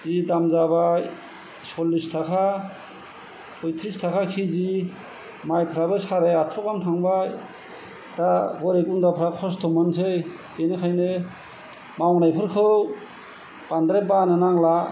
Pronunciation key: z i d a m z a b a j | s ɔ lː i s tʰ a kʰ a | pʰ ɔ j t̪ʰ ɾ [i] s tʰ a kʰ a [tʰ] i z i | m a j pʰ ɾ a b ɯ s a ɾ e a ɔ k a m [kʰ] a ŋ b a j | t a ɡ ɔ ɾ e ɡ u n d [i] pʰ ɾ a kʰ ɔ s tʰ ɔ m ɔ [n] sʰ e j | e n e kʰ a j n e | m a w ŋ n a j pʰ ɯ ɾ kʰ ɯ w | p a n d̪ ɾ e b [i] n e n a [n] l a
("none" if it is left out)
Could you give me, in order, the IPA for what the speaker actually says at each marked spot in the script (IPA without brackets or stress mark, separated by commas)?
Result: i, kʰ, tʰ, a, n, a, ŋ